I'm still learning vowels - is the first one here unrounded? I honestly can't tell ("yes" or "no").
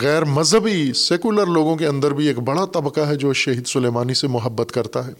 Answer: yes